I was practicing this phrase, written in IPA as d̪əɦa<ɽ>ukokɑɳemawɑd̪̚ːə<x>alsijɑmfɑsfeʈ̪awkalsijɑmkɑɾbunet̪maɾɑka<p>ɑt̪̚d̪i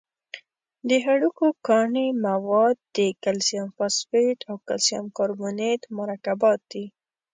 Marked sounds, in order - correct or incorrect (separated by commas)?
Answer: correct, incorrect, incorrect